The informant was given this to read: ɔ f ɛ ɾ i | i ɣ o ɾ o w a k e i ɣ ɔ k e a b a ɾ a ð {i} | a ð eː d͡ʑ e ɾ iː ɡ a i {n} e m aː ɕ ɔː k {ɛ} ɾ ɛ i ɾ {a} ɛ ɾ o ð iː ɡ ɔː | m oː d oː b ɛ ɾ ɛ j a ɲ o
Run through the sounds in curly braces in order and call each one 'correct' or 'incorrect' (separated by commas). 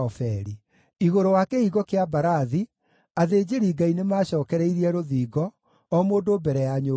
correct, correct, correct, incorrect